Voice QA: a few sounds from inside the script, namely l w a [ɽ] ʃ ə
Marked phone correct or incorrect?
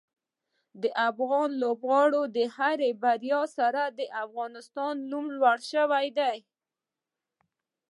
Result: correct